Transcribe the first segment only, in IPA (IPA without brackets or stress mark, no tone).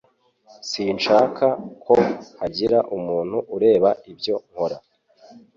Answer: s